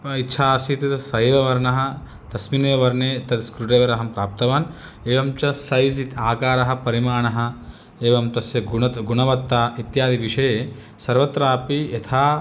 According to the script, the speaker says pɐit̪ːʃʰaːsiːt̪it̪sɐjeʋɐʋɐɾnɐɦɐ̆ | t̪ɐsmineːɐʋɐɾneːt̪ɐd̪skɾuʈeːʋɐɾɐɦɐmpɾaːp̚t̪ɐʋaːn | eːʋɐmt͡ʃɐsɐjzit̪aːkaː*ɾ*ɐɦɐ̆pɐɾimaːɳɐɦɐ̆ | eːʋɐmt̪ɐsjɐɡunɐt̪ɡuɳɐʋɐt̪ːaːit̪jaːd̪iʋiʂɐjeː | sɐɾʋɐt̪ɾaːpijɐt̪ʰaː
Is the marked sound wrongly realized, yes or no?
no